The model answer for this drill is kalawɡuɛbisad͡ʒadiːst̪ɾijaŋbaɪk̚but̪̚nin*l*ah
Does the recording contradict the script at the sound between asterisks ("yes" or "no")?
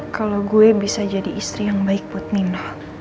no